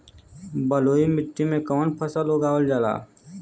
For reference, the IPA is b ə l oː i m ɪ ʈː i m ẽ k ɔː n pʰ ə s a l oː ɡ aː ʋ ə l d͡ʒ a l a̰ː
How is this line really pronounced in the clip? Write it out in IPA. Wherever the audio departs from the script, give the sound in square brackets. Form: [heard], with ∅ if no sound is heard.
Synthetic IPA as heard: b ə l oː i m ɪ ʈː i m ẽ k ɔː n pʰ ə s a l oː ɡ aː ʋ ə l d͡ʒ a l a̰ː